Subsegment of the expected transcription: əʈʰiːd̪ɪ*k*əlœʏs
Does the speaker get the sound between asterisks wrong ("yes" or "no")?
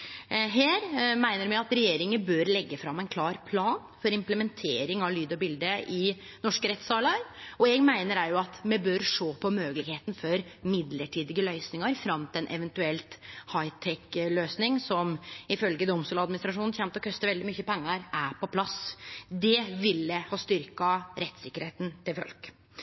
yes